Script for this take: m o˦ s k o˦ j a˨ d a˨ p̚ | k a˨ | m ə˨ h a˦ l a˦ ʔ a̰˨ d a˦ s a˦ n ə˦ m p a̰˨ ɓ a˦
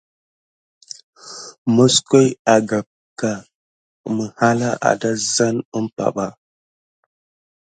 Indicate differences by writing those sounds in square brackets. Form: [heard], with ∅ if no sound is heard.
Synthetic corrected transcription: m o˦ s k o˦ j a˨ [ɡ] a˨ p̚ | k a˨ | m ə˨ h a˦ l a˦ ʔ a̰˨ d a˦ [z] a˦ n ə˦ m p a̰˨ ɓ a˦